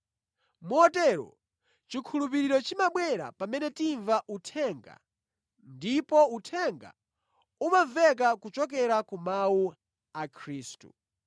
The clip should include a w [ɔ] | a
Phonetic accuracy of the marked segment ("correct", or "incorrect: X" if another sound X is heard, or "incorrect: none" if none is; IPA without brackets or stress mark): incorrect: u